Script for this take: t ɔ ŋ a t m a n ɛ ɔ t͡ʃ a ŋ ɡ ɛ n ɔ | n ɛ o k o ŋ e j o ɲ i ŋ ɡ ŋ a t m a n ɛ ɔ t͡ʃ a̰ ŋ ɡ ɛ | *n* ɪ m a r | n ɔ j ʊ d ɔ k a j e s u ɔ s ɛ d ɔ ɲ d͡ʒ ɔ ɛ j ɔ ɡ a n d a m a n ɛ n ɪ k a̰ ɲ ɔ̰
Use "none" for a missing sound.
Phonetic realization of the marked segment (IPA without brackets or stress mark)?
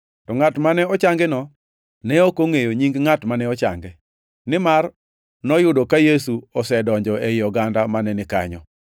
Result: n